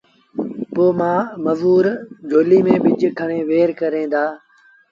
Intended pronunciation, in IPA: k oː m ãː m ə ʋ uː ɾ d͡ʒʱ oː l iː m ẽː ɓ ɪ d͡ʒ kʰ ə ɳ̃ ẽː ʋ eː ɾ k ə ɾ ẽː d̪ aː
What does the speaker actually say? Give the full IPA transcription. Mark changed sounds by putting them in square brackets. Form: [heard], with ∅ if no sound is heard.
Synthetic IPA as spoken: [p] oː m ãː m ə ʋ uː ɾ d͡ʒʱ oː l iː m ẽː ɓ ɪ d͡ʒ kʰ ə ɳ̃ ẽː ʋ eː ɾ k ə ɾ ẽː d̪ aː